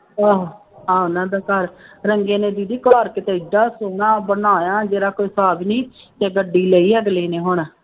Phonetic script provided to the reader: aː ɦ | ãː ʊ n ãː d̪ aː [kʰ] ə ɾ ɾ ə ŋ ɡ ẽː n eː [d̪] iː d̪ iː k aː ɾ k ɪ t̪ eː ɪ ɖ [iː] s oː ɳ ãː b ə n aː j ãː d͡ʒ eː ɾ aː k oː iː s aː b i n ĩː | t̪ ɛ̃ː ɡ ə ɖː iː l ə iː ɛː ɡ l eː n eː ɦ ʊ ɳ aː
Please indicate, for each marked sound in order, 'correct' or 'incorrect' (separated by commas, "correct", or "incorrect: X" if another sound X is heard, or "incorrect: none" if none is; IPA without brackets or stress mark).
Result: incorrect: k, correct, incorrect: aː